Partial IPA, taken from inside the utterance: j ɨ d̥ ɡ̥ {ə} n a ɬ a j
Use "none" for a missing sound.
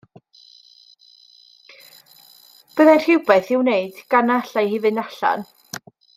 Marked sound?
a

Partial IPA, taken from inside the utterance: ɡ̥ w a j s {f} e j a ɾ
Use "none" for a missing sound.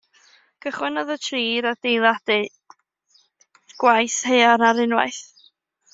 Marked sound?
h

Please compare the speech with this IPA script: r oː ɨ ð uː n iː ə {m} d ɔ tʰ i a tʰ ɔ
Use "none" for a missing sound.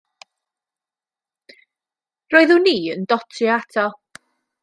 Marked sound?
n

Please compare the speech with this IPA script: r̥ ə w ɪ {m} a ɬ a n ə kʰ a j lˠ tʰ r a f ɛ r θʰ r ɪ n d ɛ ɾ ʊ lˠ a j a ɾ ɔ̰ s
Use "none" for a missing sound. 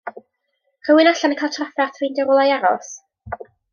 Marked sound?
n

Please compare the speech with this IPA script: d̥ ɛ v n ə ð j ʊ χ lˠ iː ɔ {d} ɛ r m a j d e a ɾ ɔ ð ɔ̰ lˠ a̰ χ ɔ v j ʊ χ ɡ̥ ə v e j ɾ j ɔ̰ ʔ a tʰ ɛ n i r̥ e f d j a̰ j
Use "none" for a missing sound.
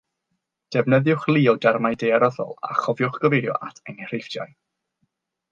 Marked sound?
d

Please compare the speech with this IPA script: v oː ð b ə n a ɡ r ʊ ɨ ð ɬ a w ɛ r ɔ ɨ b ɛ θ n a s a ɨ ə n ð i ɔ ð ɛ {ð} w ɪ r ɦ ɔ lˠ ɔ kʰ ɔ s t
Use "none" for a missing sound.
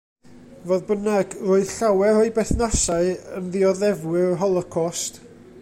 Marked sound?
v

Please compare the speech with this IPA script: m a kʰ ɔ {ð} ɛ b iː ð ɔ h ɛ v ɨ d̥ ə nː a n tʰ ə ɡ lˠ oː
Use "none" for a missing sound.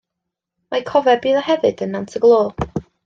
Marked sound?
v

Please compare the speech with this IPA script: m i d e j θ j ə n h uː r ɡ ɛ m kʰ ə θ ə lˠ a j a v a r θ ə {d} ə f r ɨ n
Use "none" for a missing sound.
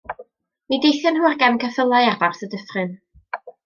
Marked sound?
d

